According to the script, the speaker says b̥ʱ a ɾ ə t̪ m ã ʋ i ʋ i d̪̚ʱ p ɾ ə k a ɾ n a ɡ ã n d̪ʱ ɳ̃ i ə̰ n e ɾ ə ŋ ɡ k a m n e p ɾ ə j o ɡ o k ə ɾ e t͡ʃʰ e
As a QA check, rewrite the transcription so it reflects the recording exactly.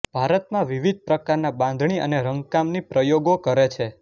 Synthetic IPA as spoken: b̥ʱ a ɾ ə t̪ m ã ʋ i ʋ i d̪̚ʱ p ɾ ə k a ɾ n a b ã n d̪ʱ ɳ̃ i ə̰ n e ɾ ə ŋ ɡ k a m n i p ɾ ə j o ɡ o k ə ɾ e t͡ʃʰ e